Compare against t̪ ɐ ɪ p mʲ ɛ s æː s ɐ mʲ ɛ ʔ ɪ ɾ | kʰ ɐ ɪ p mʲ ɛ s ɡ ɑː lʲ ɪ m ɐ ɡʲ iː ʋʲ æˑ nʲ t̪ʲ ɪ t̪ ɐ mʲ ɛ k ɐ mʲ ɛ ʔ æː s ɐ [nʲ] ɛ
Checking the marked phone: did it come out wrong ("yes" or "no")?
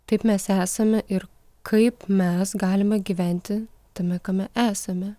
yes